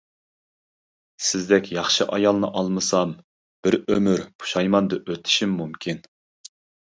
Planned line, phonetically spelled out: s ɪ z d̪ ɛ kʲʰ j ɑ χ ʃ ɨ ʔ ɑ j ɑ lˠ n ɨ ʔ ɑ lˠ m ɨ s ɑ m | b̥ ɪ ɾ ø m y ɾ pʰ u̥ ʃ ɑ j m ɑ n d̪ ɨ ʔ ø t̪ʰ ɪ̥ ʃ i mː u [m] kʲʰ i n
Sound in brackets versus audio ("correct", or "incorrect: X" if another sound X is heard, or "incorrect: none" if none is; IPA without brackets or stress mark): correct